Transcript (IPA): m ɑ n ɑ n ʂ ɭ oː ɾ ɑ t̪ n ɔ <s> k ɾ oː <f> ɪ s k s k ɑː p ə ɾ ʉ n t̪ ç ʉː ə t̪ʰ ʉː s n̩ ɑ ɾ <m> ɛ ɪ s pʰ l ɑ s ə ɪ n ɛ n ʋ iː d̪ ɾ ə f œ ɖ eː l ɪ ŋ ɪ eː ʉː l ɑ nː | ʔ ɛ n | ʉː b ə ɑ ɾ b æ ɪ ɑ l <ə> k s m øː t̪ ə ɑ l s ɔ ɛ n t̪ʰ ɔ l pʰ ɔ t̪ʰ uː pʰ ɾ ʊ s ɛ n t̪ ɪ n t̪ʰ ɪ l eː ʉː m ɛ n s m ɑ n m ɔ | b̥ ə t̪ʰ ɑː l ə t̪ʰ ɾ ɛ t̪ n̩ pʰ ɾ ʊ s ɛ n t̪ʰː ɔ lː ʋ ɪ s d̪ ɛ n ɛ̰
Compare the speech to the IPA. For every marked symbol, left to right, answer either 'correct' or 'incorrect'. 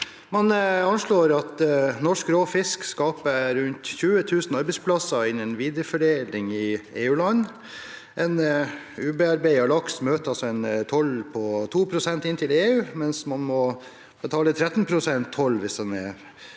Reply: incorrect: ʂ, correct, incorrect: b, incorrect: ɑ

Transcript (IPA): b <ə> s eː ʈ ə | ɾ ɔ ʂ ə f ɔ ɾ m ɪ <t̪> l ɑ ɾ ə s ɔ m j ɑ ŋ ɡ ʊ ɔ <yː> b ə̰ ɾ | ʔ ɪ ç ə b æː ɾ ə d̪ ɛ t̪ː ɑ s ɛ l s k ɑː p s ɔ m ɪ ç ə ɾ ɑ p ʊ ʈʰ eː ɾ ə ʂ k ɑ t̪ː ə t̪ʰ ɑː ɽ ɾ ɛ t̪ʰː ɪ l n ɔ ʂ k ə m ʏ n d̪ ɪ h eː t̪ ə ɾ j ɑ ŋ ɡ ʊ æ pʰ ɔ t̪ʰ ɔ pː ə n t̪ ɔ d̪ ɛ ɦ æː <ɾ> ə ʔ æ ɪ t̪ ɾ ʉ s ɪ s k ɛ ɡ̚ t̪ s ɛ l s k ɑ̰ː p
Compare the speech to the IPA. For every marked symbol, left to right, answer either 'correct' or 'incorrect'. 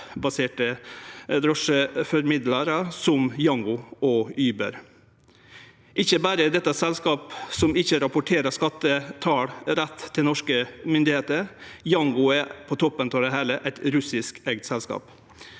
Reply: incorrect: ɑ, incorrect: d̪, correct, incorrect: l

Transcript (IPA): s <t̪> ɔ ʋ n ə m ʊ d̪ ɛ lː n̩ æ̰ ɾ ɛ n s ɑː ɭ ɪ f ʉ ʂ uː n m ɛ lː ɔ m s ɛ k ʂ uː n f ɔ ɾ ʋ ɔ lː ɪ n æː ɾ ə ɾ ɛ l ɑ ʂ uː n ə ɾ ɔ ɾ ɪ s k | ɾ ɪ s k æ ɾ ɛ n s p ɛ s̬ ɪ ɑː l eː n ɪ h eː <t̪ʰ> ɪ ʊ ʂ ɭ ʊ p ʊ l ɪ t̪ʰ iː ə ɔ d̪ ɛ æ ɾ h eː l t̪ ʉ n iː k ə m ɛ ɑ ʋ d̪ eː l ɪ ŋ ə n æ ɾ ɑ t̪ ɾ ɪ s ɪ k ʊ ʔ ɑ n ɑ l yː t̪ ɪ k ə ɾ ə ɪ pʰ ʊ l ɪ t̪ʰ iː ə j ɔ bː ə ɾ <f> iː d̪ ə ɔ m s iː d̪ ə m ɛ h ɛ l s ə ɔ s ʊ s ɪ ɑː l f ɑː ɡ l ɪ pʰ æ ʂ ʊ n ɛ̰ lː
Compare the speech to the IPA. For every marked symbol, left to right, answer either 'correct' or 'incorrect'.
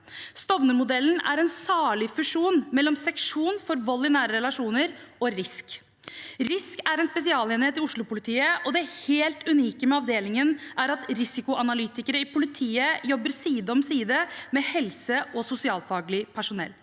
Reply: correct, incorrect: t̪, incorrect: s

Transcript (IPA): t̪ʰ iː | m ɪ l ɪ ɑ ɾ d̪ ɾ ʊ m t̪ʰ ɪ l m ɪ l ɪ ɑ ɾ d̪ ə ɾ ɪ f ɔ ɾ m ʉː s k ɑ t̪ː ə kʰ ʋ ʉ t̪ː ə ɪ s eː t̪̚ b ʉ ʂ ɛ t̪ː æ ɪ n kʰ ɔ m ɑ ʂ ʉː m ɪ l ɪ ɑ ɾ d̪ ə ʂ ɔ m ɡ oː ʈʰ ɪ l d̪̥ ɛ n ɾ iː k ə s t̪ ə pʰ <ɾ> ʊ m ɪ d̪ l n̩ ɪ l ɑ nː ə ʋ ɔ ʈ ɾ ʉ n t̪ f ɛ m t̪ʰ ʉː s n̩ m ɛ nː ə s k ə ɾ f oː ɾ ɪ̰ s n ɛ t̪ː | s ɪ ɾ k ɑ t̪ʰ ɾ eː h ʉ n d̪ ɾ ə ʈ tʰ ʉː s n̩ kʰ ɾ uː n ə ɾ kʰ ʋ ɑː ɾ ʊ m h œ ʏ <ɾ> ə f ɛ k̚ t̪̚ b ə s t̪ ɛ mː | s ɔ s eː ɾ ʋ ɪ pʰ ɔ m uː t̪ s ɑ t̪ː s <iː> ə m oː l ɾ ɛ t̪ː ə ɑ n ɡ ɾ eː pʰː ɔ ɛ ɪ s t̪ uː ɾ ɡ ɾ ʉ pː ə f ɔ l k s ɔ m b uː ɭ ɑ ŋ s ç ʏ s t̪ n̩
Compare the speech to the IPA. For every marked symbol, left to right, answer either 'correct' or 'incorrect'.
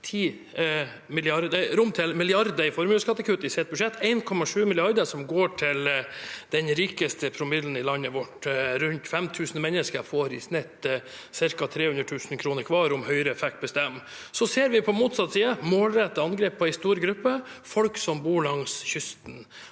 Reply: correct, correct, correct

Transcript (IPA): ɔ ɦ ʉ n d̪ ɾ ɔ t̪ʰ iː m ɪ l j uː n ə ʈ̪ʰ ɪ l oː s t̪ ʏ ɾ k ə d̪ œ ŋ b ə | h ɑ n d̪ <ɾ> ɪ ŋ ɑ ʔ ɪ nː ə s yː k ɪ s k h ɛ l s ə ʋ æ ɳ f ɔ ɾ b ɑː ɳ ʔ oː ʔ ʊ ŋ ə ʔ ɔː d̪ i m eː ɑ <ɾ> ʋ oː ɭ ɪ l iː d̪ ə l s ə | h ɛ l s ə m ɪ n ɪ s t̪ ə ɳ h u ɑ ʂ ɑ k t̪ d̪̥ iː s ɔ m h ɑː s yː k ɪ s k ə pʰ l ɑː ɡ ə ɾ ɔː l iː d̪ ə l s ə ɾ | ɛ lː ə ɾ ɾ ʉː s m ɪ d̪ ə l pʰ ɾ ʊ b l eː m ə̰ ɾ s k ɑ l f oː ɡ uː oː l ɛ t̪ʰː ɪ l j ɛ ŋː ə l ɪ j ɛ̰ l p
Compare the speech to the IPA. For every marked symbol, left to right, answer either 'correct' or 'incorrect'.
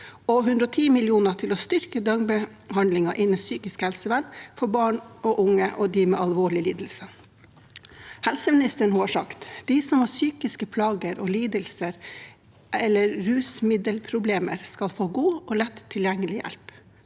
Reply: incorrect: l, incorrect: l

